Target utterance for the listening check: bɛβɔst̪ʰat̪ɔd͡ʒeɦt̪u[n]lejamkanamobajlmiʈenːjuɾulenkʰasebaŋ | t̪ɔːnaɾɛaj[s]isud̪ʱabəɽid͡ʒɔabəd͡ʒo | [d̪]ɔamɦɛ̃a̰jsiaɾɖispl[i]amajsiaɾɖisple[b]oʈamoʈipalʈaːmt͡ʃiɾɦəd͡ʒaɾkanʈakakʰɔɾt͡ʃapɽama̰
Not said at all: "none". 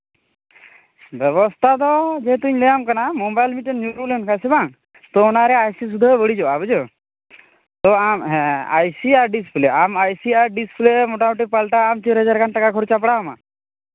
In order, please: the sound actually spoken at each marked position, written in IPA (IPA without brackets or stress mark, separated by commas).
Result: ɲ, s, t̪, e, m